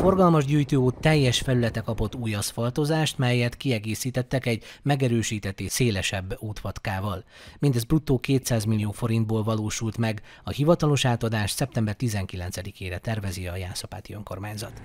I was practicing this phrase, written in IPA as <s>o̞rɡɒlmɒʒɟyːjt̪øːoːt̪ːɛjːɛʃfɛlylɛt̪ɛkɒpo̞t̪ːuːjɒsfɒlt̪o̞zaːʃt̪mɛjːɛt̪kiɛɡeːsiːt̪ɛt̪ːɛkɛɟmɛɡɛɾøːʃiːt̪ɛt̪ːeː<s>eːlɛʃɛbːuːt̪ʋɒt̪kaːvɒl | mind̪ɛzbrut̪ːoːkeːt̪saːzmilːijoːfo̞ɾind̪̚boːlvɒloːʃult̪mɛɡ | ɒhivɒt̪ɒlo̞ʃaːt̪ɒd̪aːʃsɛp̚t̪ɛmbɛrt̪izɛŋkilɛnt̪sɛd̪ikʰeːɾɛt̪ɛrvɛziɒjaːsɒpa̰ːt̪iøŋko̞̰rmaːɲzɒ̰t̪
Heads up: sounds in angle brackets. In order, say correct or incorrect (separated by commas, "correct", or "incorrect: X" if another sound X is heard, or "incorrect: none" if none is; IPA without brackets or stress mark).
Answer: incorrect: f, correct